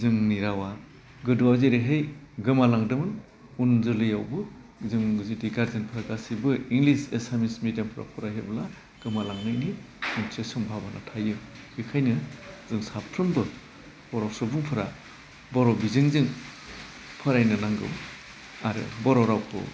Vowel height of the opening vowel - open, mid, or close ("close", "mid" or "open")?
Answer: close